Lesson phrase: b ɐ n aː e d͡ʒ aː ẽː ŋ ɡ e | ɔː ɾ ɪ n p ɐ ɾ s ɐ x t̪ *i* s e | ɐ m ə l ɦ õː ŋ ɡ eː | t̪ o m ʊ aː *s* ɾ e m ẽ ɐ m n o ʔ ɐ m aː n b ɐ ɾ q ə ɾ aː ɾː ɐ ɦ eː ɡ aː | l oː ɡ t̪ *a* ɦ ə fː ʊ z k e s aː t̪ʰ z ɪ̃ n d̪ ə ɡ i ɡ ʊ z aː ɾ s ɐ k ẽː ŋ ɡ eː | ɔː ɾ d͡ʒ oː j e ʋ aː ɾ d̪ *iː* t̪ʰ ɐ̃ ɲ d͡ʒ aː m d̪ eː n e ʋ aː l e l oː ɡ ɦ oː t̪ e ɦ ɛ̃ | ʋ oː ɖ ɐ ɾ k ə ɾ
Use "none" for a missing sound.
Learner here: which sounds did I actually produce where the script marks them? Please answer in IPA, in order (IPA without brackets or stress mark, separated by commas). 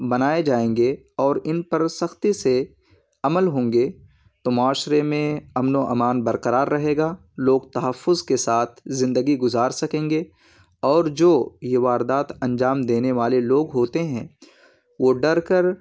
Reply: i, ʃ, ɐ, aː